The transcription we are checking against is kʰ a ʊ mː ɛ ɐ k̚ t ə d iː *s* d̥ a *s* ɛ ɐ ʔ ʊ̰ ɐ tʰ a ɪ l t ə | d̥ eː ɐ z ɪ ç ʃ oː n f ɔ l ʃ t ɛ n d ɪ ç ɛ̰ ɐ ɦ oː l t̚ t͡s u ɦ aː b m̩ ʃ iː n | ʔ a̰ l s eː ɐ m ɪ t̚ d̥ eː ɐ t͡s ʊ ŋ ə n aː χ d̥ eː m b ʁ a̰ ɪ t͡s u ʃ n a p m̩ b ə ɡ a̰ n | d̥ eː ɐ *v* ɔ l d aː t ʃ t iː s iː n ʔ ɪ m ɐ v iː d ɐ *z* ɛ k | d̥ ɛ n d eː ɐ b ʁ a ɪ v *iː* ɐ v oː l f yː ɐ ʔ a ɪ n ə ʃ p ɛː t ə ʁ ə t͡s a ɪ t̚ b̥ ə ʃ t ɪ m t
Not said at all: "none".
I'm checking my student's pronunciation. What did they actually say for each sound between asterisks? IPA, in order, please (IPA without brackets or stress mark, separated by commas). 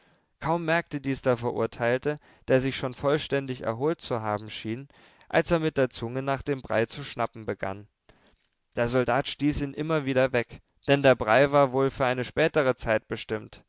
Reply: s, f, z, v, aː